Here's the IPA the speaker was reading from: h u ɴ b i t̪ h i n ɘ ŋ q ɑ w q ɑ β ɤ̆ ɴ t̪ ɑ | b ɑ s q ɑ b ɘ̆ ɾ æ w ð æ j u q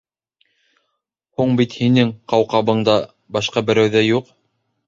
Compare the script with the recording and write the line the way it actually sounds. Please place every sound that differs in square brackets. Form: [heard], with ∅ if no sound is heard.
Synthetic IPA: h u ɴ b i t̪ h i n ɘ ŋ q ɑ w q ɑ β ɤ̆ ɴ [d̪] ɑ | b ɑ [ʃ] q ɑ b ɘ̆ ɾ æ w ð æ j u q